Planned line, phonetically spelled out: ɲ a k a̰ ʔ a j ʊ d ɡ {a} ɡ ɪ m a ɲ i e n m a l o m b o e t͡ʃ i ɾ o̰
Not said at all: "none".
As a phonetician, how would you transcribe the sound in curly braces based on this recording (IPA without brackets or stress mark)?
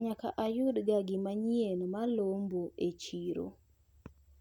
a